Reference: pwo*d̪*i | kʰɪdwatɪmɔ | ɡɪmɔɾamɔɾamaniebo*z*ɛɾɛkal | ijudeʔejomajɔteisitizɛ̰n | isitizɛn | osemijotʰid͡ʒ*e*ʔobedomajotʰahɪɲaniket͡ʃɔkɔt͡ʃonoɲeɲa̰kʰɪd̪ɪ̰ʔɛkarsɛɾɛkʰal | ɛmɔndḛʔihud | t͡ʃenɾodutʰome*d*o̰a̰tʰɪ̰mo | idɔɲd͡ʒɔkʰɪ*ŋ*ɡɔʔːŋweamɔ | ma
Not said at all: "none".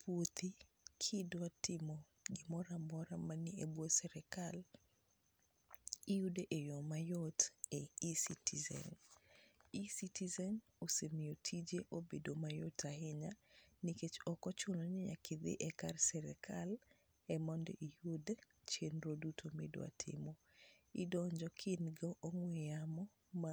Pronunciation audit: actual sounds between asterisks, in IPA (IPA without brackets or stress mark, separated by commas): t̪, s, e, d, n